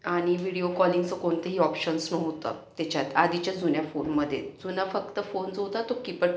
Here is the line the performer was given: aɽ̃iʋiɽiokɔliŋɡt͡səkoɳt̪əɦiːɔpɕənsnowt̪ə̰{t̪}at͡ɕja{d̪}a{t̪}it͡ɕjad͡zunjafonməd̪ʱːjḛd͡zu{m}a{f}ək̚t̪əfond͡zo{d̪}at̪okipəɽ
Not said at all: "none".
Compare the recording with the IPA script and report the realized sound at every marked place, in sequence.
t̪, t̪, d̪, n, f, t̪

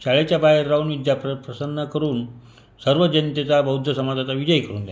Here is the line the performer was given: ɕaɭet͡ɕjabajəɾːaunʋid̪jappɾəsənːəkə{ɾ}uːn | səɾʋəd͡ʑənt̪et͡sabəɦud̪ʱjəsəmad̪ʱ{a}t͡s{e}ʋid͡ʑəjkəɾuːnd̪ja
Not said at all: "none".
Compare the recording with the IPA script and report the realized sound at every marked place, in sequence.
ɾ, a, a

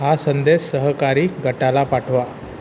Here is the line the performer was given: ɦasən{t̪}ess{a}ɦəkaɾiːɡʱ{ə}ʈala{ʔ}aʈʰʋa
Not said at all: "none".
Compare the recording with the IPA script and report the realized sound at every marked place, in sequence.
d̪, ə, ə, p

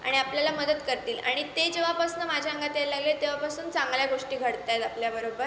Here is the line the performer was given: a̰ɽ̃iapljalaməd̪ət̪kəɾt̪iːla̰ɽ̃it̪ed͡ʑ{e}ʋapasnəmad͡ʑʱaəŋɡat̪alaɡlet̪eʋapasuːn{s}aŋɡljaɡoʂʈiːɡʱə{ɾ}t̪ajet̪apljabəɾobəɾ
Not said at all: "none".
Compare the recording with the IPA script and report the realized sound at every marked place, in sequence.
e, t͡s, ɽ

